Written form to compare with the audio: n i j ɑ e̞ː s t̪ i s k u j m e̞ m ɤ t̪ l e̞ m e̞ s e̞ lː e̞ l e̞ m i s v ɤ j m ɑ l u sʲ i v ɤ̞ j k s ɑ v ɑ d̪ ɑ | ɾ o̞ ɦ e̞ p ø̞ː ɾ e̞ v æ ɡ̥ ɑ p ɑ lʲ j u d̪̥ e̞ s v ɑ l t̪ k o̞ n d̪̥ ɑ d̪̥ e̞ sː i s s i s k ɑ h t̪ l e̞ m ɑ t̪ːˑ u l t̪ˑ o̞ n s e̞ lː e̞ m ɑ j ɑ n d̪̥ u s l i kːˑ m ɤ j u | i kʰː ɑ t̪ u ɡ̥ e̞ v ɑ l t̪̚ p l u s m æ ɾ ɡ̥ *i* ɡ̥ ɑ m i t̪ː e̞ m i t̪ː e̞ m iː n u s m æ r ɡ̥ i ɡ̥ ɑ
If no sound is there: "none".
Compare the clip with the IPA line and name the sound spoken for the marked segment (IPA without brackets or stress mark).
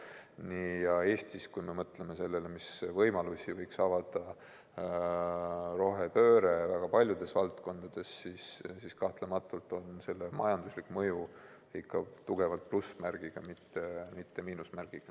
i